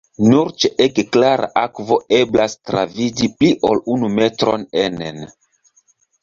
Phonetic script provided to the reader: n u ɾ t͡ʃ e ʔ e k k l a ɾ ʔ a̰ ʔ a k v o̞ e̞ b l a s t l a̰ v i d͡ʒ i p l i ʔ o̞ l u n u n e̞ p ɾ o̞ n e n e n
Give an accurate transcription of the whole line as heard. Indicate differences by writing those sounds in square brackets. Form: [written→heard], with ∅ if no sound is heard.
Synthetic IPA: n u ɾ t͡ʃ e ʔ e k k l a ɾ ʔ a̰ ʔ a k v o̞ e̞ b l a s t [l→ɾ] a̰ v i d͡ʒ i p l i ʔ o̞ l u n u [n→m] e̞ [p→t] ɾ o̞ n e n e n